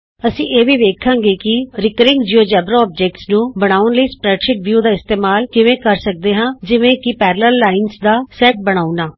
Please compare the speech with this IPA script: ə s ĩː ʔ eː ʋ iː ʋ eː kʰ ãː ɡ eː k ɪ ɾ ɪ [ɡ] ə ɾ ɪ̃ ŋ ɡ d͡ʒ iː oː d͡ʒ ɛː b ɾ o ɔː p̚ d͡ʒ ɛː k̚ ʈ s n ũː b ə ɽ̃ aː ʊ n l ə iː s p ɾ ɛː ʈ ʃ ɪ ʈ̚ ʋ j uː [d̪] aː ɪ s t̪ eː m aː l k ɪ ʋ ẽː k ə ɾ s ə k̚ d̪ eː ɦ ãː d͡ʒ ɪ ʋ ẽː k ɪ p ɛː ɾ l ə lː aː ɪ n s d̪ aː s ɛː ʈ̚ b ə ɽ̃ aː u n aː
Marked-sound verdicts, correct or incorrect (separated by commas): incorrect, correct